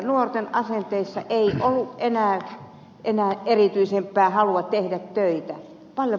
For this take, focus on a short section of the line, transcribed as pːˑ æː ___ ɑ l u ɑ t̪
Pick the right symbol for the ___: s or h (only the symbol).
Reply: h